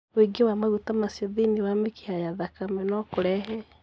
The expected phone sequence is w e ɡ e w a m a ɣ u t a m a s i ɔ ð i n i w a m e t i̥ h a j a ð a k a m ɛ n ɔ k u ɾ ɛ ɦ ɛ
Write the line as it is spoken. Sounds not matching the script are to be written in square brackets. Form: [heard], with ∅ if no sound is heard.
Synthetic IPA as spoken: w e ɡ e w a m a ɣ u t a m a s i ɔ ð i n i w a m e [k] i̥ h a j a ð a k a m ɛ n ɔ k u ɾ ɛ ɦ ɛ